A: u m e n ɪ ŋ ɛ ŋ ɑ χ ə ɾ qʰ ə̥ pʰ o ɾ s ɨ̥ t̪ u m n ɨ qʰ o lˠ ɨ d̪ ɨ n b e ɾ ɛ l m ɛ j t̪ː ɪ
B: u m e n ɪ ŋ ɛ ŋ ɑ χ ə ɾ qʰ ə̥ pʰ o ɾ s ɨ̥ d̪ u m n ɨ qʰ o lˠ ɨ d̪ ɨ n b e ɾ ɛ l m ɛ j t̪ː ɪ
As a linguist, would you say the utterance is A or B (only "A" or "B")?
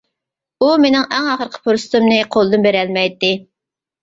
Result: A